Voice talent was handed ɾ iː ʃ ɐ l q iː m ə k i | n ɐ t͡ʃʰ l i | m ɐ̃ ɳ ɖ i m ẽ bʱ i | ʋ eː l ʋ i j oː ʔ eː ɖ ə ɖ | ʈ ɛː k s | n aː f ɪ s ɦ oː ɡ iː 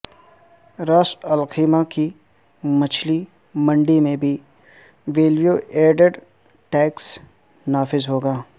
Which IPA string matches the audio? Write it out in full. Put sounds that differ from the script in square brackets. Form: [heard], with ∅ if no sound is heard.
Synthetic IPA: ɾ [aː] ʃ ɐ l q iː m [a] k i | [m] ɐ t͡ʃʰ l i | m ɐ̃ ɳ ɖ i m ẽ bʱ i | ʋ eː l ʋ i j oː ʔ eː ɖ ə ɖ | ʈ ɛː k s | n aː f ɪ [z] ɦ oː ɡ [aː]